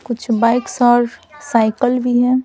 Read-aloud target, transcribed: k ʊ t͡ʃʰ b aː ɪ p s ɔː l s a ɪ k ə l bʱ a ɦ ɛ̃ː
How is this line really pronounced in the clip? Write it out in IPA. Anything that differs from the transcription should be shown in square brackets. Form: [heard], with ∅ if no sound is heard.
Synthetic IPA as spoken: k ʊ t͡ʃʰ b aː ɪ [k] s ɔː [ɾ] s a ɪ k ə l bʱ [i] ɦ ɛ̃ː